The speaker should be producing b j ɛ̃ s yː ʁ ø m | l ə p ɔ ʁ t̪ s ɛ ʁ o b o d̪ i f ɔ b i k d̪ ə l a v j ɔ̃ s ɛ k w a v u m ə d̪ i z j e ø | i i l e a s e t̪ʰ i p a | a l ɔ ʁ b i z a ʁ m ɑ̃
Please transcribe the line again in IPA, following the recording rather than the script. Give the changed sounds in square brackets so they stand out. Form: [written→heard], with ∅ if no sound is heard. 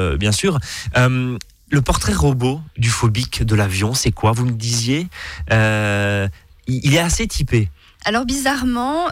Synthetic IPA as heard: b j ɛ̃ s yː ʁ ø m | l ə p ɔ ʁ t̪ [s→χ] ɛ ʁ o b o d̪ [i→y] f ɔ b i k d̪ ə l a v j ɔ̃ s ɛ k w a v u m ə d̪ i z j e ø | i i l [e→ɛ] a s e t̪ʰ i p [a→e] | a l ɔ ʁ b i z a ʁ m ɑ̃